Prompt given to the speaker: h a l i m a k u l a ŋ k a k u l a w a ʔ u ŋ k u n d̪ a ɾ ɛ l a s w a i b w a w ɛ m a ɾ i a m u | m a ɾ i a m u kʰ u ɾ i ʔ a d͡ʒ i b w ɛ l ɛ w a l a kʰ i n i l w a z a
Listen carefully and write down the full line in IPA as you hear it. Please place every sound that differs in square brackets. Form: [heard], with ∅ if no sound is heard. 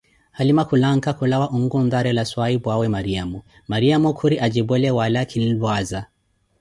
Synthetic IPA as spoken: h a l i m a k u l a ŋ k a k u l a w a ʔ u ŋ [ɡ] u n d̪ a ɾ ɛ l a s w a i b w a w ɛ m a ɾ i a m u | m a ɾ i a m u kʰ u ɾ i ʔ a d͡ʒ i b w ɛ l ɛ w a l a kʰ i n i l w a z a